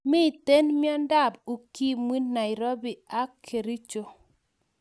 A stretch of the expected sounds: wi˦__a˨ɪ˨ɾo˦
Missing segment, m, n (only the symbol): n